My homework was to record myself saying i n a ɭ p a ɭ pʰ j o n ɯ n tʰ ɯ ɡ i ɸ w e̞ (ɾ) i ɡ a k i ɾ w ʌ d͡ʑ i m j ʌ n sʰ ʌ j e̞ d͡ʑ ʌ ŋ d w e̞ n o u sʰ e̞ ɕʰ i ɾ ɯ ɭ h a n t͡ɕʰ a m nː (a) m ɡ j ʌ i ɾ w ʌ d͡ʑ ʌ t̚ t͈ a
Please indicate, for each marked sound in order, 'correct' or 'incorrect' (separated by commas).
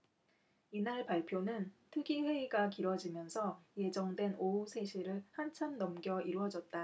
incorrect, incorrect